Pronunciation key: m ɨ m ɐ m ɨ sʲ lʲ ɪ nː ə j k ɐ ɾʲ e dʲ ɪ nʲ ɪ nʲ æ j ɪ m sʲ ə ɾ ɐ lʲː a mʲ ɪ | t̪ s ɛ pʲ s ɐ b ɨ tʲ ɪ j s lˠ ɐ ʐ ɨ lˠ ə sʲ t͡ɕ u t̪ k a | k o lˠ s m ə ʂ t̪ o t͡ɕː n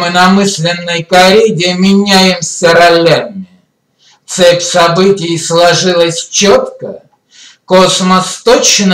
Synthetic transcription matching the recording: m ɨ n ɐ m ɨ sʲ lʲ ɪ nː ə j k ɐ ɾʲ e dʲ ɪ mʲ ɪ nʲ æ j ɪ m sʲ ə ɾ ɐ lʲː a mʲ ɪ | t̪ s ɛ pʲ s ɐ b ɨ tʲ ɪ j s lˠ ɐ ʐ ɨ lˠ ə sʲ t͡ɕ o t̪ k ə | k o s m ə s t̪ o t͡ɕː n